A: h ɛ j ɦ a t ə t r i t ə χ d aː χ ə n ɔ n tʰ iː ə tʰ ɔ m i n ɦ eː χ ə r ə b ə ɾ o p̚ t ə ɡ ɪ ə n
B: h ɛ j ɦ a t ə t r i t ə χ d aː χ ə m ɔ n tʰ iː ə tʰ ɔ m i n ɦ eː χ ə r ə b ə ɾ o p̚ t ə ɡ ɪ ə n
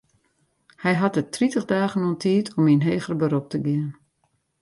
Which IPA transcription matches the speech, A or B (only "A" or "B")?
A